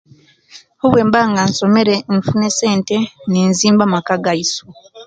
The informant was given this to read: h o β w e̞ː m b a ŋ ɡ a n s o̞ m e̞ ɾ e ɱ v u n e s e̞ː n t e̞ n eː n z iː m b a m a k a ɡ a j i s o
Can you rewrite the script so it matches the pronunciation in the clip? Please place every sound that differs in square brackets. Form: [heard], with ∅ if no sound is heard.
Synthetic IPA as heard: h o β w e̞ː m b a ŋ ɡ a n s o̞ m e̞ ɾ e ɱ [f] u n e s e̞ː n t e̞ n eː n z iː m b a m a k a ɡ a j i s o